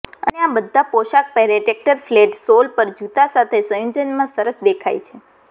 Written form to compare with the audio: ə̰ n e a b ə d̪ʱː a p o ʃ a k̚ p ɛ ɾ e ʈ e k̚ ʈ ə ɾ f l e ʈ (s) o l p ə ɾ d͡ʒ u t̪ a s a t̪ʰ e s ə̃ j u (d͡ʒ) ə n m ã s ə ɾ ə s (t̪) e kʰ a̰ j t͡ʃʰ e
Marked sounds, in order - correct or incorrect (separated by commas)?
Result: correct, correct, incorrect